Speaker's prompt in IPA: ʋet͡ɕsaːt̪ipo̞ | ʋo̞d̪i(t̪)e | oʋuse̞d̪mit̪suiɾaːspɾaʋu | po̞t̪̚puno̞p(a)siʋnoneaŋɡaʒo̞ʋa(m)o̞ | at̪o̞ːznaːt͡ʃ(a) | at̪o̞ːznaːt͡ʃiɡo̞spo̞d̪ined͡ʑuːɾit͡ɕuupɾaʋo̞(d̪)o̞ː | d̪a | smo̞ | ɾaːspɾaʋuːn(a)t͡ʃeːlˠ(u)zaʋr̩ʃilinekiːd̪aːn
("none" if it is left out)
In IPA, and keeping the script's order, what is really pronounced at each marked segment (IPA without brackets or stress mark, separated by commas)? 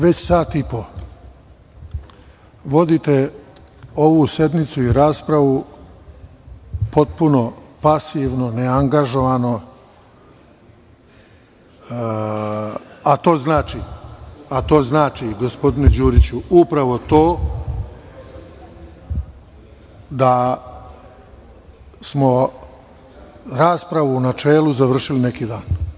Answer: t̪, a, n, i, t̪, a, u